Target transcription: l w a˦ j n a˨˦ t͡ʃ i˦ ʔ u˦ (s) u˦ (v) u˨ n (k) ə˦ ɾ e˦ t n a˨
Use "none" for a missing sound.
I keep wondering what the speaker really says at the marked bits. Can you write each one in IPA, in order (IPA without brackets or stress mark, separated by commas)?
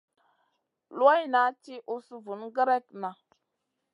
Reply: s, v, ɡ